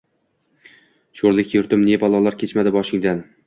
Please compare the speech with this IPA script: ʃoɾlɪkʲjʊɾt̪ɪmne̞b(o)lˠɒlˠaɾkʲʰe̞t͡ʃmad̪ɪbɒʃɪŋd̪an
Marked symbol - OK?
no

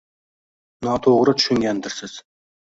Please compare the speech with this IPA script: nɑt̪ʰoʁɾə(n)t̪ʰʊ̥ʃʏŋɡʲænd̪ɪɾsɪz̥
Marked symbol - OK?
no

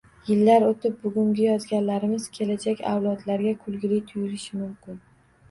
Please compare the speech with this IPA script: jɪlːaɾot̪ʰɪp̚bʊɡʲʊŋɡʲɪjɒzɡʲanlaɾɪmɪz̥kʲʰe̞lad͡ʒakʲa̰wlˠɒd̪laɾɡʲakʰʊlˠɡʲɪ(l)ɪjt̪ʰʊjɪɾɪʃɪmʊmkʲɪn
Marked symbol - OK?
yes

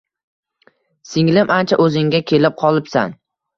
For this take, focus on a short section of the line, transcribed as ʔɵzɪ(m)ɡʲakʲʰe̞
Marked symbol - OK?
no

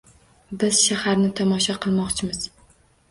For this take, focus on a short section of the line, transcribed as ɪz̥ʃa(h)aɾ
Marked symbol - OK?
yes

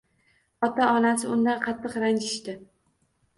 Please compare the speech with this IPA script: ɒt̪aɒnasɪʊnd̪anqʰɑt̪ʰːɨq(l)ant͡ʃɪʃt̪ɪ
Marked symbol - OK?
no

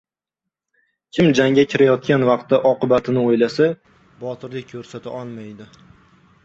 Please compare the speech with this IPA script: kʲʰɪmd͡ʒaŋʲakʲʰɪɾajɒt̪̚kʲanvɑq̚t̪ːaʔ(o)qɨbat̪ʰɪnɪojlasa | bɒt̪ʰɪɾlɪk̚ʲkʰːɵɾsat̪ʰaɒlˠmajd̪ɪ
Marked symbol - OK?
no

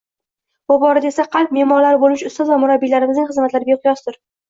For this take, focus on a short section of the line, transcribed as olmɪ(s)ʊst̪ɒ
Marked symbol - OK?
no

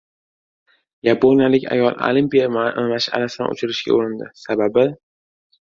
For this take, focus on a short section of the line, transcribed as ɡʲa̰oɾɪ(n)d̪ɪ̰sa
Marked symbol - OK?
yes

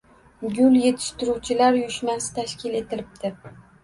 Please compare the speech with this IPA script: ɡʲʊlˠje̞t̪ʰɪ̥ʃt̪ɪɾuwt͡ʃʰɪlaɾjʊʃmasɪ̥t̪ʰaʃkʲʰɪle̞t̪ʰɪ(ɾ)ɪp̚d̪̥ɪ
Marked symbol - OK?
no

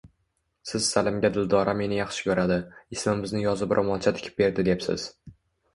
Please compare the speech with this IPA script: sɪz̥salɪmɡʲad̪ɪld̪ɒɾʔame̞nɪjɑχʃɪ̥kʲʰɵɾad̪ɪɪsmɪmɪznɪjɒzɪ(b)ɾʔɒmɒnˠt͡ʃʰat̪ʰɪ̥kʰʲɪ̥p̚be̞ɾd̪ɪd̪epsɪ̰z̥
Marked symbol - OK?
yes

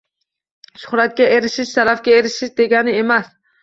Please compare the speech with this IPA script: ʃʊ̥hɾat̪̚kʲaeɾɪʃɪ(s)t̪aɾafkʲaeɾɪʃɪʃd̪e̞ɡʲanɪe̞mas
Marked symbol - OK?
no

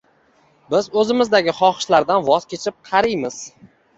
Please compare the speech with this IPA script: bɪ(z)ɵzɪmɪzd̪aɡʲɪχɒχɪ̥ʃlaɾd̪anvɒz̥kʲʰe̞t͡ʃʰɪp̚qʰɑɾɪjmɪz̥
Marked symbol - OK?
yes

